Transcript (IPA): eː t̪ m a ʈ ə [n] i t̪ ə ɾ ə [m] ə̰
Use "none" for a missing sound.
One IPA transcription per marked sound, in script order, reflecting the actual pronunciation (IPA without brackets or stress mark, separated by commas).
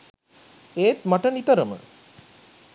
n, m